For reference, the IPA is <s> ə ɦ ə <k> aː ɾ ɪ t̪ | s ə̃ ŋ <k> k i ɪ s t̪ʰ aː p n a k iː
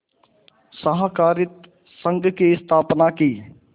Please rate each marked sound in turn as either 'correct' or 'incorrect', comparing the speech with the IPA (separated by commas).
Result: correct, correct, incorrect